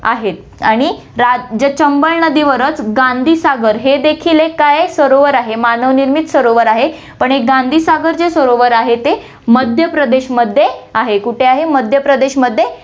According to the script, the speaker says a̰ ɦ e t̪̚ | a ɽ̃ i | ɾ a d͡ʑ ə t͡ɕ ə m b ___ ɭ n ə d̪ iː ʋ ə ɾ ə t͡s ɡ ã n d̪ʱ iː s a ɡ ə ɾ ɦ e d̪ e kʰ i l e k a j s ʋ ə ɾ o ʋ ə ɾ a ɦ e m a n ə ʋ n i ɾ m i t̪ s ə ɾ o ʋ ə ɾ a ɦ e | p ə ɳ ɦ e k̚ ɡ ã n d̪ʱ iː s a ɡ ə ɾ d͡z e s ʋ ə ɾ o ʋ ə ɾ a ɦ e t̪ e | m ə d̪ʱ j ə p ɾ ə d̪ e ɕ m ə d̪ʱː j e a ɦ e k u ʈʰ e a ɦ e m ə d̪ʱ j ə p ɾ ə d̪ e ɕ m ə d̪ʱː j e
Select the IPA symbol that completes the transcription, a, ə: ə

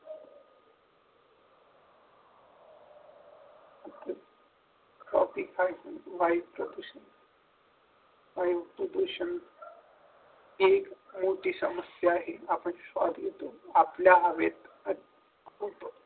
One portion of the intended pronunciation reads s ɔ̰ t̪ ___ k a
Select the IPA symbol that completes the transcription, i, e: i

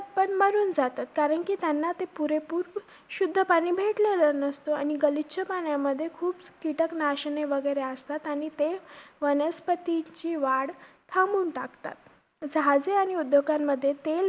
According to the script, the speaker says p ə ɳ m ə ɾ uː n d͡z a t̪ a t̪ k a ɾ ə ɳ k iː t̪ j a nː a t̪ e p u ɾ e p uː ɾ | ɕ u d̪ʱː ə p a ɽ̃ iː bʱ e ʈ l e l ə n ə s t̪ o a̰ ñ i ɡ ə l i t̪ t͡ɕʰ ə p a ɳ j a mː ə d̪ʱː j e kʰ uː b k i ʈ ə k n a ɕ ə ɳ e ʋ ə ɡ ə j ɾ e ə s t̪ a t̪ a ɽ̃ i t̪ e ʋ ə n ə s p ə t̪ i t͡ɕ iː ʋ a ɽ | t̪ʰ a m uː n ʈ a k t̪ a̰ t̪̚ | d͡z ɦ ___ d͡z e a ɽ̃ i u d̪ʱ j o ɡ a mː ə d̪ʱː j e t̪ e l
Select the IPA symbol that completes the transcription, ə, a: a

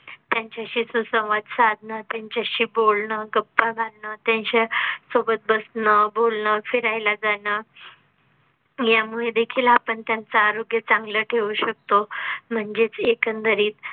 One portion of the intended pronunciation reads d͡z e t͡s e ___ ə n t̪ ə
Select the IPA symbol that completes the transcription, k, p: k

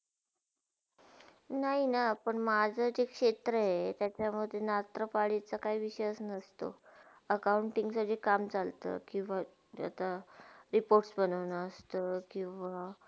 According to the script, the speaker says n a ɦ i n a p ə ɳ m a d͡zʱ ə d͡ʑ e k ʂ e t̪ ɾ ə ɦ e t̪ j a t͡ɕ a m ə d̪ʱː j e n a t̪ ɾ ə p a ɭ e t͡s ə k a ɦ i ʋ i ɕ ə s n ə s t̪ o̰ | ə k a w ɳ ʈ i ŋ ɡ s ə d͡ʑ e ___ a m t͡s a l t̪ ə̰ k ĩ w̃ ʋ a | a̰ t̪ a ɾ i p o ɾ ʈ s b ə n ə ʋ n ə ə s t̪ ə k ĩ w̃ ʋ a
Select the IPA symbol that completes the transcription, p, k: k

